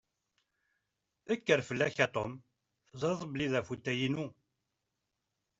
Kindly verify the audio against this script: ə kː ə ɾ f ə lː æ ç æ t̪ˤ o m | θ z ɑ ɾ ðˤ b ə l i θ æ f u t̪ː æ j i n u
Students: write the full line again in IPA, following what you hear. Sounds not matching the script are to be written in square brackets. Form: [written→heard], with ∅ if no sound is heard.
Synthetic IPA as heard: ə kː ə ɾ f ə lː æ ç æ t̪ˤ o m | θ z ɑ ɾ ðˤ b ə l i [θ→ð] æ f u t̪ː æ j i n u